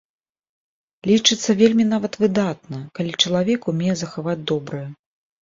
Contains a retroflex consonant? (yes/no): yes